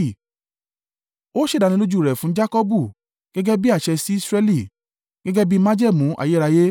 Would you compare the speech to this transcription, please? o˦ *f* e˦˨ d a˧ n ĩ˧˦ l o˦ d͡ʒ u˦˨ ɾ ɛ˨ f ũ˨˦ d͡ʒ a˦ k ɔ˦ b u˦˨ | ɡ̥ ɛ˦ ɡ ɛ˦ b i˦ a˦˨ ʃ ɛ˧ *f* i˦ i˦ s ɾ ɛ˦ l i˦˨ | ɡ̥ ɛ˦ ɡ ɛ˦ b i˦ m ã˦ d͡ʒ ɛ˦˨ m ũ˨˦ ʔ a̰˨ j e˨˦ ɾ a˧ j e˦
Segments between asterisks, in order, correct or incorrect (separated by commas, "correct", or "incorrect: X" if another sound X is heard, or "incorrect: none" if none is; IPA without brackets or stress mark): incorrect: ʃ, incorrect: s